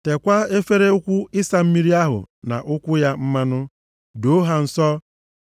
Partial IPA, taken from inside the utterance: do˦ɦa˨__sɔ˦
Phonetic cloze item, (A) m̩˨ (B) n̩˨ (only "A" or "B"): B